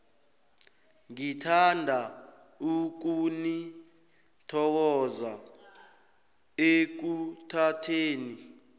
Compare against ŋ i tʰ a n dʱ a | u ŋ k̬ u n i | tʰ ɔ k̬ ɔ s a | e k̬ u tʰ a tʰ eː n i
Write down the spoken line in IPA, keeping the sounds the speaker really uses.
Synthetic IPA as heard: ŋ i tʰ a n dʱ a | u k̬ u n i | tʰ ɔ k̬ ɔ z a | e k̬ u tʰ a tʰ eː n i